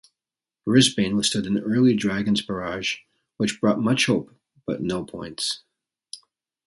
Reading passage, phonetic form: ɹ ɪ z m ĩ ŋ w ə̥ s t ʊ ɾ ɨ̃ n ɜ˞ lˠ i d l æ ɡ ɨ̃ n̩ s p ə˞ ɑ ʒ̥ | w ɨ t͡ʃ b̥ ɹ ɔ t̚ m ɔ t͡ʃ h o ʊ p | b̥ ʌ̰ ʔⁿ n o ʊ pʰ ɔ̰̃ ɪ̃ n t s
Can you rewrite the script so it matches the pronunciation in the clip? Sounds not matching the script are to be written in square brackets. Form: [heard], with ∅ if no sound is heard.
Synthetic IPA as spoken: ɹ ɪ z [b] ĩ [n] w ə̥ s t ʊ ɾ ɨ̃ n ɜ˞ lˠ i d [ɹ] æ ɡ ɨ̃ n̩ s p ə˞ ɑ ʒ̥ | w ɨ t͡ʃ b̥ ɹ ɔ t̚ m [ʌ] t͡ʃ h o ʊ p | b̥ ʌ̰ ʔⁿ n o ʊ pʰ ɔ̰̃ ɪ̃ n t s